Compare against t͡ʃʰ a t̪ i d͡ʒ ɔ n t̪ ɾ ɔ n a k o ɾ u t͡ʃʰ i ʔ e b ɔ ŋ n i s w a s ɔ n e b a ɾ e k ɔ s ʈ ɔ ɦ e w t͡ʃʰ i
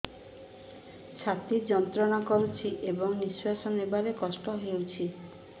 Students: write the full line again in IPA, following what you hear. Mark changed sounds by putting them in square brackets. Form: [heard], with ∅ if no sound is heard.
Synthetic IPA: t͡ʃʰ a t̪ i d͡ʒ ɔ n t̪ ɾ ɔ n a k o ɾ u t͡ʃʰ i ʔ e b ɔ ŋ n i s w a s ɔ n e b a ɾ e k ɔ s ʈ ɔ ɦ e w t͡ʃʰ i